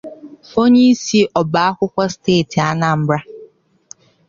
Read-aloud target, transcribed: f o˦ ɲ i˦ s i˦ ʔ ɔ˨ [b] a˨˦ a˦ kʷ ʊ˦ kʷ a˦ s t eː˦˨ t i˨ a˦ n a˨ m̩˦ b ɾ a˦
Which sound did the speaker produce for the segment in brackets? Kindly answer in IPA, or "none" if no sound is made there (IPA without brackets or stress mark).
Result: b